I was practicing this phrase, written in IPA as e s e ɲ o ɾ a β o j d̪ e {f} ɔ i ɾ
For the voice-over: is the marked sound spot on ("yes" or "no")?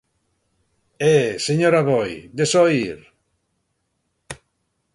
no